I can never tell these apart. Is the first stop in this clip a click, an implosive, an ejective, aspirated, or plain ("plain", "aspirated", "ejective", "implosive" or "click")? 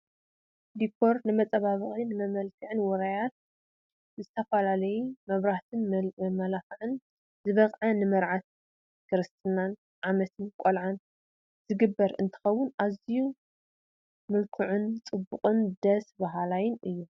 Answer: plain